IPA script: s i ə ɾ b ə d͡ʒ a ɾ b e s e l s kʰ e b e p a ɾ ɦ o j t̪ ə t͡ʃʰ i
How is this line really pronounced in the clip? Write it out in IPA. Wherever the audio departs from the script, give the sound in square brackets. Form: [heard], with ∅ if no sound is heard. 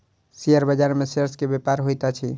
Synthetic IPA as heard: s i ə ɾ b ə d͡ʒ a ɾ [m] e s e [ɾ] s [k] e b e p a ɾ ɦ o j t̪ [a] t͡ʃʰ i